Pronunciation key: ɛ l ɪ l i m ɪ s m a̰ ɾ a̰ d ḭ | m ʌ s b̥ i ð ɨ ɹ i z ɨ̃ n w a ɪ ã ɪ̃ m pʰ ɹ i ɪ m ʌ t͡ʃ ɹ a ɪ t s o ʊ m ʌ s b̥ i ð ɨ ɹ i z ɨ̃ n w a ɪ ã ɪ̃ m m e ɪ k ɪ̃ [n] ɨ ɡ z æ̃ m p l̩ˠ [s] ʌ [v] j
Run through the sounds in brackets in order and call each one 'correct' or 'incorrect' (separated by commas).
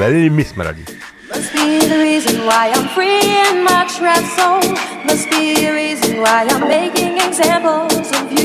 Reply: incorrect, incorrect, correct